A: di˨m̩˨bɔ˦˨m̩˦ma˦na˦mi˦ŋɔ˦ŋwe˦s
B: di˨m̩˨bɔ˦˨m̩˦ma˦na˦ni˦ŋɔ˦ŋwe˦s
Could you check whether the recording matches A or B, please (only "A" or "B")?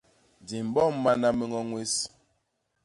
A